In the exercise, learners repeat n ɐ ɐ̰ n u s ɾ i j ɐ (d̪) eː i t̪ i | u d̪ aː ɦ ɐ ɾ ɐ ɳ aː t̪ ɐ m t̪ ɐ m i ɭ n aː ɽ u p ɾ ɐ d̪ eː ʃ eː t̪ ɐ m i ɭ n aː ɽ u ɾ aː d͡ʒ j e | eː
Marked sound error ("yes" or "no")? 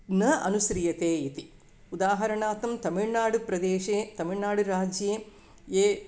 yes